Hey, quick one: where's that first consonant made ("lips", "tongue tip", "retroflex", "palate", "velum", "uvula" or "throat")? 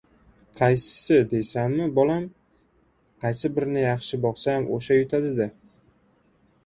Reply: uvula